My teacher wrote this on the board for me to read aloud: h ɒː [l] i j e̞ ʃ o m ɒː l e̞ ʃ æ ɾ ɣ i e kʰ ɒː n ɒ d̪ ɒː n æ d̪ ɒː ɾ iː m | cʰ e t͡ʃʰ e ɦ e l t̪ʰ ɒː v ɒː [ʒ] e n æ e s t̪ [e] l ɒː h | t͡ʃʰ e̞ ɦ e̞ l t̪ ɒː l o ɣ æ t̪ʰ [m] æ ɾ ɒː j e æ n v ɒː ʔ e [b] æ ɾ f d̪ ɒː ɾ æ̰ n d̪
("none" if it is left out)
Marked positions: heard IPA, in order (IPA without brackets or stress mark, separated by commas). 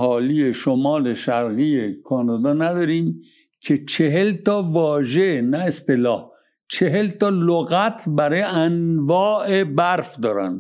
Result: l, ʒ, e, b, b